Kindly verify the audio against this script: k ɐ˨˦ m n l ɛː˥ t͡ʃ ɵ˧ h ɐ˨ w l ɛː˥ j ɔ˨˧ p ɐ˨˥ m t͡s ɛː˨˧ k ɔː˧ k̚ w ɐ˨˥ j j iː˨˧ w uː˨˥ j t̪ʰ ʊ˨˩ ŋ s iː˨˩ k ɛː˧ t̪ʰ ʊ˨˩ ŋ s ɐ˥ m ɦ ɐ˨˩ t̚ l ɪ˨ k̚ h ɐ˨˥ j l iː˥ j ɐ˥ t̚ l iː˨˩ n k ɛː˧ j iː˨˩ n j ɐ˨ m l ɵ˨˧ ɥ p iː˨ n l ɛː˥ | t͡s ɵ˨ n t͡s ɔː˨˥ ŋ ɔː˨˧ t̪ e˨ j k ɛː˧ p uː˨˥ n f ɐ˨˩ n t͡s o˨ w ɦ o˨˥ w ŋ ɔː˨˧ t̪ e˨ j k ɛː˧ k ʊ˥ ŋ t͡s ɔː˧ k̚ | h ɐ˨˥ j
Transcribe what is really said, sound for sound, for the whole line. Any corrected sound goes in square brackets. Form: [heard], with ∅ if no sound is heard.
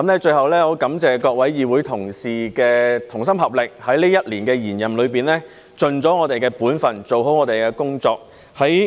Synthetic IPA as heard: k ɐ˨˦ m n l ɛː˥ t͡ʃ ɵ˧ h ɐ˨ w l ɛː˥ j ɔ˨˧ [k] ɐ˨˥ m t͡s ɛː˨˧ k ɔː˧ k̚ w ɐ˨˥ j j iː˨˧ w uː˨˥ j t̪ʰ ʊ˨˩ ŋ s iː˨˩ k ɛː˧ t̪ʰ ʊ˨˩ ŋ s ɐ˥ m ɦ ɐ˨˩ [p̚] l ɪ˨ k̚ h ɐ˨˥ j l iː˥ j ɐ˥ t̚ l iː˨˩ n k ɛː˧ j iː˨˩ n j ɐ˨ m l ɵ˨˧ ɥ p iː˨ n l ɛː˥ | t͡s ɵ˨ n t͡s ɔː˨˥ ŋ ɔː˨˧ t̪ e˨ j k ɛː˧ p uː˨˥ n f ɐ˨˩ n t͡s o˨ w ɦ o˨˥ w ŋ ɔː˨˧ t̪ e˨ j k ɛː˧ k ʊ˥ ŋ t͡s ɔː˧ k̚ | h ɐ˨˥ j